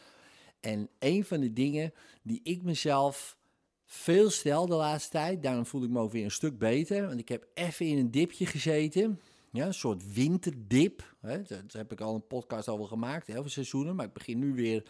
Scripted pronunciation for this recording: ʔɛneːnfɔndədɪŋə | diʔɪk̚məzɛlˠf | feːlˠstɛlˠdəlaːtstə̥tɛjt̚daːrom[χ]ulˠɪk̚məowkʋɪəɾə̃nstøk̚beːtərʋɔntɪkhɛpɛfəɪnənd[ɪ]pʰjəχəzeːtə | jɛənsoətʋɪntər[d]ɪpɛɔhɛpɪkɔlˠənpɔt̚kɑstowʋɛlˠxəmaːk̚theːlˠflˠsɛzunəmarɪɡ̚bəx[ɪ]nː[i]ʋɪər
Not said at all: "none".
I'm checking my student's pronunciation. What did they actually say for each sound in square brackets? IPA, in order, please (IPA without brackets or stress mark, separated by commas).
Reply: f, ɪ, d, ɪ, y